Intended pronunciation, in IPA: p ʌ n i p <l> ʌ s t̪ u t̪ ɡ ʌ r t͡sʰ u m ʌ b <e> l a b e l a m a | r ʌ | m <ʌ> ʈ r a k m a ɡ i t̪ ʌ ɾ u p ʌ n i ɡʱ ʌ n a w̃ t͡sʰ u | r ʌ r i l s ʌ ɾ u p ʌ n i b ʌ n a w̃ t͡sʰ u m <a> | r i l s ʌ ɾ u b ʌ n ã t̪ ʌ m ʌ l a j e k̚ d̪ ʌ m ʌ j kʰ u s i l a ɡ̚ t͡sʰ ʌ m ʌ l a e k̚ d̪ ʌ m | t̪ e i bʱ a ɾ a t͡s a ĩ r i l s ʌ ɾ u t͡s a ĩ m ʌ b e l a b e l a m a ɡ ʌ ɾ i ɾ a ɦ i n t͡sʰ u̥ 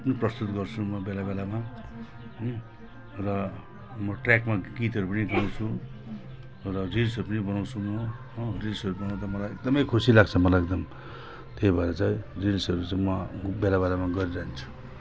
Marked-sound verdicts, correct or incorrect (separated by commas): incorrect, correct, correct, incorrect